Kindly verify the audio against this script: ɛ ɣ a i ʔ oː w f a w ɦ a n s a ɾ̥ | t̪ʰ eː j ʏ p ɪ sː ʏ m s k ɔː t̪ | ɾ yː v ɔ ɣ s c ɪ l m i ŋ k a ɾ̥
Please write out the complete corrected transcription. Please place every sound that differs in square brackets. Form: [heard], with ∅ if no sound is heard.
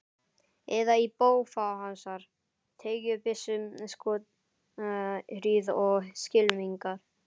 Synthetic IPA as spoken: ɛ [ð] a i [p] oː w f a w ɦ a n s a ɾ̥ | t̪ʰ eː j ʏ p ɪ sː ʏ m s k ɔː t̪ | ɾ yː [ð] ɔ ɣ s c ɪ l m i ŋ k a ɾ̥

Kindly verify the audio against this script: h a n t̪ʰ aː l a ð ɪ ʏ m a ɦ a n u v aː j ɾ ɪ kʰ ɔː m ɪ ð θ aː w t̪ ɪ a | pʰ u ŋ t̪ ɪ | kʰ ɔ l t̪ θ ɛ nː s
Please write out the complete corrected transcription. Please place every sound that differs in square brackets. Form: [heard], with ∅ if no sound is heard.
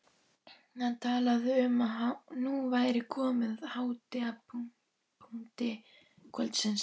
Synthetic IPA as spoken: h a n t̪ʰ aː l a ð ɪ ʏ m a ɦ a n u v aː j ɾ ɪ kʰ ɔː m ɪ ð [h] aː w t̪ ɪ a | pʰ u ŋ t̪ ɪ | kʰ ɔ l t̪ [s] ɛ [n] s

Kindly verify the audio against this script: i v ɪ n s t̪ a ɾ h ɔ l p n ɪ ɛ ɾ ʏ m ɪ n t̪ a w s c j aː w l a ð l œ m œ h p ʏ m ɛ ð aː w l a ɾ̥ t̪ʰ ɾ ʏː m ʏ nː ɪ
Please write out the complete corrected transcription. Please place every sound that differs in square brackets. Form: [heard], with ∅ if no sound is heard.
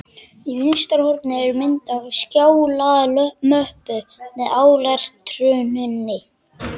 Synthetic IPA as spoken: i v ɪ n s t̪ a ɾ h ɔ [ɾ] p n ɪ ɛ ɾ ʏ m ɪ n t̪ a [v] s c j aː w l a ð l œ m œ h p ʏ m ɛ ð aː w l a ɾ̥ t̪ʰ ɾ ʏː [n] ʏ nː ɪ

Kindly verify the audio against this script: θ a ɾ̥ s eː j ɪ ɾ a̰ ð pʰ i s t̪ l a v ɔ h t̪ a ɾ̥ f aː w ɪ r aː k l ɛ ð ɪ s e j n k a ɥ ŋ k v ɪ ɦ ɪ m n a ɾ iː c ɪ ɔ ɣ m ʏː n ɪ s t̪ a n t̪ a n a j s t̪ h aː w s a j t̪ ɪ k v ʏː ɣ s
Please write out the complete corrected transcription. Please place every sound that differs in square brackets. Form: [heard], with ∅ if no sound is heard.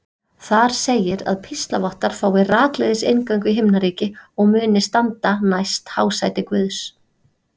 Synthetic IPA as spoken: θ a ɾ̥ s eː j ɪ ɾ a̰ ð pʰ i s t̪ l a v ɔ h t̪ a ɾ̥ f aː w ɪ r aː k l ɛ ð ɪ s e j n k a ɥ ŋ k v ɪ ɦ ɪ m n a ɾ iː c ɪ ɔ ɣ m ʏː n ɪ s t̪ a n t̪ a n a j s t̪ h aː w s a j t̪ ɪ k v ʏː [ð] s

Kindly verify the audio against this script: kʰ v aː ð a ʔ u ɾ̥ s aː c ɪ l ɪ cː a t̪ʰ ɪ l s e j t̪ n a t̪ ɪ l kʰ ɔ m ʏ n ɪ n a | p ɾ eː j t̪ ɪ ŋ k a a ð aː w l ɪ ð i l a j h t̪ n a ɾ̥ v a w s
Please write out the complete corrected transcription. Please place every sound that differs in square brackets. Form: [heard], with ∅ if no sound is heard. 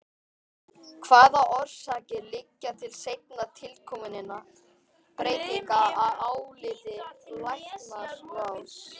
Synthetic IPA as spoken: kʰ v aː ð a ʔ [ɔ] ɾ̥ s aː c ɪ l ɪ cː a t̪ʰ ɪ l s e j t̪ n a [t̪ʰ] ɪ l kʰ ɔ m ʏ n ɪ n a | p ɾ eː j t̪ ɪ ŋ k a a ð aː w l ɪ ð [ɪ] l a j h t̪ n a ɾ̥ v a w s

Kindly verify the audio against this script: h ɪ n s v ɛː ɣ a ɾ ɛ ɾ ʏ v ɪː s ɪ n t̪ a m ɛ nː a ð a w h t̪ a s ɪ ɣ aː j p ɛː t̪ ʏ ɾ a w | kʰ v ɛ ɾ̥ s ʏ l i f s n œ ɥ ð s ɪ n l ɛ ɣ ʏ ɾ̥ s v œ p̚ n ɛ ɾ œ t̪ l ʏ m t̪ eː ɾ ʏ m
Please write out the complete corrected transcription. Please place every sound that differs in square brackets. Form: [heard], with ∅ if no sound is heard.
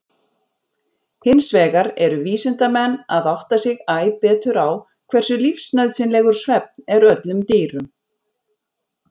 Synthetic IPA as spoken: h ɪ n s v ɛː ɣ a ɾ ɛ ɾ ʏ v [iː] s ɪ n t̪ a m ɛ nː a ð a w h t̪ a s ɪ ɣ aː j p ɛː t̪ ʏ ɾ a w | kʰ v ɛ [r̥] s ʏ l i f s n œ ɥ ð s ɪ n l ɛ ɣ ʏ ɾ̥ s v [ɛ] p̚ n ɛ ɾ œ t̪ l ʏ m t̪ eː ɾ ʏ m

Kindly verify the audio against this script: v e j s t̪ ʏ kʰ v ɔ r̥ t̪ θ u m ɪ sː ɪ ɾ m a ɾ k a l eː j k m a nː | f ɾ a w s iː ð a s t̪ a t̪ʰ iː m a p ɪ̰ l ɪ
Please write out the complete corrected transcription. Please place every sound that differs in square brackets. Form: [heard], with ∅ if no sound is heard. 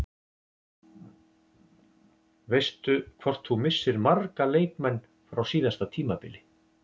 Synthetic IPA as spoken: v e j s t̪ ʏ kʰ v ɔ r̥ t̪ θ u m ɪ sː ɪ ɾ m a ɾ k a l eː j k m [ɛ] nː | f ɾ a w s iː ð a s t̪ a t̪ʰ iː m a p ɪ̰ l ɪ

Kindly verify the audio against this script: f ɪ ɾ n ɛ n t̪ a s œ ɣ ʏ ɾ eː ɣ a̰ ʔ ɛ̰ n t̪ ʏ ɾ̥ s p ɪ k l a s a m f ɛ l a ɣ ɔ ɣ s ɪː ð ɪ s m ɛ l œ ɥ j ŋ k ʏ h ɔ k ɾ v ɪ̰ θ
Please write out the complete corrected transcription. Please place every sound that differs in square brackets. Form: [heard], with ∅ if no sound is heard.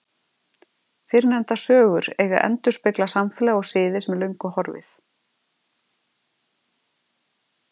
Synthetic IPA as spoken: f ɪ ɾ n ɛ n t̪ a s [œː] ɣ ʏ ɾ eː ɣ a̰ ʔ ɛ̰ n t̪ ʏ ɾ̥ s p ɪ k l a s a m f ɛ l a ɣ ɔ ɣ s ɪː ð ɪ s m ɛ l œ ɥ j ŋ k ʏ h ɔ [∅] ɾ v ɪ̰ θ

